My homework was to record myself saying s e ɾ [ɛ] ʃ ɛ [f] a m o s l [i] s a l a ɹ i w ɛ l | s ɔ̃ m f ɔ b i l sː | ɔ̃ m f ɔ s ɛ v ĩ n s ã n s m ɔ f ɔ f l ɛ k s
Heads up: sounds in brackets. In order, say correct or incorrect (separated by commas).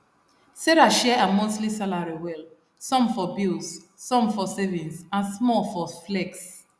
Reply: incorrect, incorrect, correct